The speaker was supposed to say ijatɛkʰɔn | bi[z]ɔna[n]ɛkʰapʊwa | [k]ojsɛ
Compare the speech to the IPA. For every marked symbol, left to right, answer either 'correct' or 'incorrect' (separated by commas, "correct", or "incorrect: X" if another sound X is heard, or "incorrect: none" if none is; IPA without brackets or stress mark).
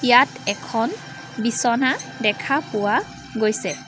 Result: incorrect: s, incorrect: d, incorrect: ɡ